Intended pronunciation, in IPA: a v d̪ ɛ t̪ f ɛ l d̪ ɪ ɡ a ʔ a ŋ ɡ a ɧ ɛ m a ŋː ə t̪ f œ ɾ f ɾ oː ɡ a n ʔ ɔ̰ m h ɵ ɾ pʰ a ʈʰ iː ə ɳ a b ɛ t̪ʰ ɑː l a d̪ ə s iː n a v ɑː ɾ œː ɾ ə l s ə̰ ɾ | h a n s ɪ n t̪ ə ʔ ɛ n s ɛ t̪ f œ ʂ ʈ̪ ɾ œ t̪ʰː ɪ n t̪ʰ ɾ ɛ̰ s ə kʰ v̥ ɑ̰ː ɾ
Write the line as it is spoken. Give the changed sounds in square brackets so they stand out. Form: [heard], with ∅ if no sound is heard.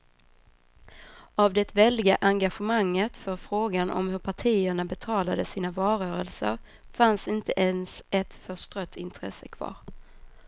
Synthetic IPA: a v d̪ ɛ t̪ [v] ɛ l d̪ ɪ ɡ a ʔ a ŋ ɡ a ɧ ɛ m a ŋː ə t̪ f œ ɾ f ɾ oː ɡ a n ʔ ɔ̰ m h ɵ ɾ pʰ a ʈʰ iː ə ɳ a b ɛ t̪ʰ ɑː l a d̪ ə s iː n a v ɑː ɾ œː ɾ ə l s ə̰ ɾ | [f] a n s ɪ n t̪ ə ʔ ɛ n s ɛ t̪ f œ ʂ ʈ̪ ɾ œ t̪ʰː ɪ n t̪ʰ ɾ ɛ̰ s ə kʰ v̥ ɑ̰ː ɾ